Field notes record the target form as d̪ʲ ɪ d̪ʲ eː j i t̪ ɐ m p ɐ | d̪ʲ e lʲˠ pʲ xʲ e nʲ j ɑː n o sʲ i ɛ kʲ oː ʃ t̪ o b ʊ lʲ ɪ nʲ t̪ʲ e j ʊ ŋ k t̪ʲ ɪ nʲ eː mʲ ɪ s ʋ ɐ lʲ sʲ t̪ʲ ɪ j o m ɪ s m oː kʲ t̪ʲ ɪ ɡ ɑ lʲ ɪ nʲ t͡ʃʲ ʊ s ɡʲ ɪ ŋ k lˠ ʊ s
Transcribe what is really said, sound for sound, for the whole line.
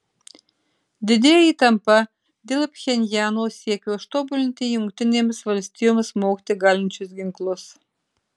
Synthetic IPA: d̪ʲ ɪ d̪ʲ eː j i t̪ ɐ m p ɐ | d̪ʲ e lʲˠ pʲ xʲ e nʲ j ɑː n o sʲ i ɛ kʲ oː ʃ t̪ o b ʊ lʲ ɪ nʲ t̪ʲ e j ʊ ŋ k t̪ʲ ɪ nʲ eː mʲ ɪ s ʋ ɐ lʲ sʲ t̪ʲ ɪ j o m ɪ s m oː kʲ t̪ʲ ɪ ɡ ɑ lʲ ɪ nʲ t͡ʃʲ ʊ s ɡʲ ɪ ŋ k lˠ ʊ s